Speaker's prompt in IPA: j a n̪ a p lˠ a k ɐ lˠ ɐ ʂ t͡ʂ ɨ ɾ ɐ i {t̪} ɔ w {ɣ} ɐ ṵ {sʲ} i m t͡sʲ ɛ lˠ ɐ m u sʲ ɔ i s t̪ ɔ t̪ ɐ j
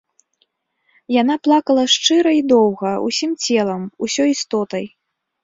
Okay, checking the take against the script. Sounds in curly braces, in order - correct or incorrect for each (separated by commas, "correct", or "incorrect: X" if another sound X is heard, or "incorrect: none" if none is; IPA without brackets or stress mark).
incorrect: d̪, correct, correct